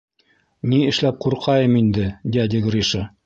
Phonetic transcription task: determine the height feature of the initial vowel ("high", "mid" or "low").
high